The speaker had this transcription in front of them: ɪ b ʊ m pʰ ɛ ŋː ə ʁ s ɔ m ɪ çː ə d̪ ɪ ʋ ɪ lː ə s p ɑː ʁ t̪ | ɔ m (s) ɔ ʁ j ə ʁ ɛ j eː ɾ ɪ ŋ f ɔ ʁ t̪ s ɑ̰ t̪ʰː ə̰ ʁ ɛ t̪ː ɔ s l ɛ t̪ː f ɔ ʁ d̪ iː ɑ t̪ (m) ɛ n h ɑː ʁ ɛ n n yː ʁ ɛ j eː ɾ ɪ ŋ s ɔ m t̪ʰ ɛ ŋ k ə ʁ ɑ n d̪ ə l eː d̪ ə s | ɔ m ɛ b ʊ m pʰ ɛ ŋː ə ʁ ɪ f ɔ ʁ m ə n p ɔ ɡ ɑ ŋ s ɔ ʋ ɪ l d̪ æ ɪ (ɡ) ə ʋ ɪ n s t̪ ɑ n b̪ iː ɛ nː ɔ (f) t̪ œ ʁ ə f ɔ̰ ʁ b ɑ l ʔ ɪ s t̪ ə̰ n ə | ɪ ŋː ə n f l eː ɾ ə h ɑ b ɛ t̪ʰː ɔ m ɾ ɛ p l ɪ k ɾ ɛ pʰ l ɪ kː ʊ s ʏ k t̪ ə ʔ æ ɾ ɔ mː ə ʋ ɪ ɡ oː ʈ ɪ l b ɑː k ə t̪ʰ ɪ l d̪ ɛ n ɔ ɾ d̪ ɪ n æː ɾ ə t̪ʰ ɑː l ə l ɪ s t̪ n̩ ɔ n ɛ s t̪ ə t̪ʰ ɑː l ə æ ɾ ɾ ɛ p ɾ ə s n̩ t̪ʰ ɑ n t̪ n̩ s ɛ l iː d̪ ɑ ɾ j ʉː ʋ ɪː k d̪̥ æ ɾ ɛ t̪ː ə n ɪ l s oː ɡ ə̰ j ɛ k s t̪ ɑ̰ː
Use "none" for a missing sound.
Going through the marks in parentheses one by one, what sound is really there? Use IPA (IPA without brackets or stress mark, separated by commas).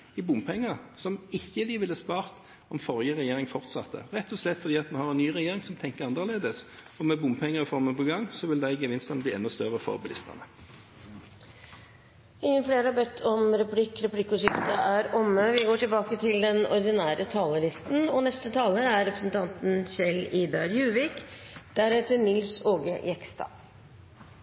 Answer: f, m, ɡ, s